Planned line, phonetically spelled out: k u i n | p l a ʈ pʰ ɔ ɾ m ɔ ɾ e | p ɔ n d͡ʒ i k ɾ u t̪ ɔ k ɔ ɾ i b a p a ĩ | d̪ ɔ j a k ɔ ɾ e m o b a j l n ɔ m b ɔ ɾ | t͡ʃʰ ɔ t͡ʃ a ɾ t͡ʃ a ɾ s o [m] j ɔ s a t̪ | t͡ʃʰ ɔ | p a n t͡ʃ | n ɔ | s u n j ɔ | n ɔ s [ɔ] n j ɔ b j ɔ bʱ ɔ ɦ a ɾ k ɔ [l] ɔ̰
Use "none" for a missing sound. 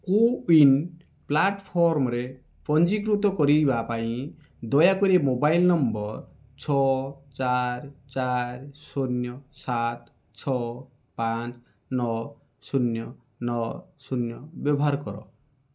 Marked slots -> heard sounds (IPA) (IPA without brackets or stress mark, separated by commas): n, u, ɾ